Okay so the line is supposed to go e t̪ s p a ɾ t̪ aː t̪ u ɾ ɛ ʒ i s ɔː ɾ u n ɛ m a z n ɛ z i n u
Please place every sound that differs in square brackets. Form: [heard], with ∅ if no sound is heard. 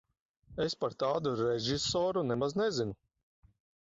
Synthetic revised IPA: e [∅] s p a ɾ t̪ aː [d̪] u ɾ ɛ ʒ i s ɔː ɾ u n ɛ m a z n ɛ z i n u